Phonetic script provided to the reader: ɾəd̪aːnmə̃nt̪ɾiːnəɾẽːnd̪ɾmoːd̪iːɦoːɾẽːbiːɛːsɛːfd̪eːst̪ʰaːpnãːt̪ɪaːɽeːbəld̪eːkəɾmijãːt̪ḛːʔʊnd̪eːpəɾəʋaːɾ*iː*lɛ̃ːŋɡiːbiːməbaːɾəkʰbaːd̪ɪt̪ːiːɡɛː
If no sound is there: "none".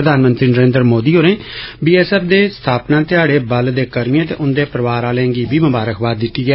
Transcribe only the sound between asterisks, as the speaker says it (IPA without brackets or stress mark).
aː